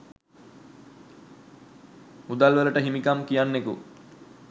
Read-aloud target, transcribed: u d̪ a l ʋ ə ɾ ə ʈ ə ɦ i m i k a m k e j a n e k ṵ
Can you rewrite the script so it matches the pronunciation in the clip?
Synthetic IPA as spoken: u d̪ a l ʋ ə l ə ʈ ə ɦ i m i k a m k i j a nː e k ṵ